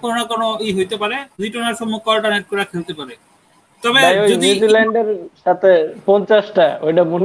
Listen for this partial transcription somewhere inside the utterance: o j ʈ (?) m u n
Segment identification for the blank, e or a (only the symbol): a